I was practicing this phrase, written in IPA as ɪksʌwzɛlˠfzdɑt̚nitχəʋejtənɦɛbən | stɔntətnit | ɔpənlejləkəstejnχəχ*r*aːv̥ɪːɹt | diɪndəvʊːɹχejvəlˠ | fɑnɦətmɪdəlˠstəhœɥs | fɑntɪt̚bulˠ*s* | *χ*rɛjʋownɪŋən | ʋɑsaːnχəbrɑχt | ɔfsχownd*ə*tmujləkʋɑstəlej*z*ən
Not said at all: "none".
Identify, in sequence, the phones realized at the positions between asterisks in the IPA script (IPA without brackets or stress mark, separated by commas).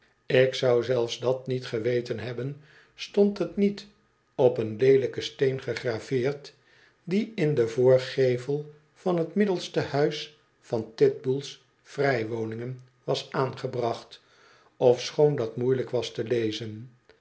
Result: r, s, f, ɑ, z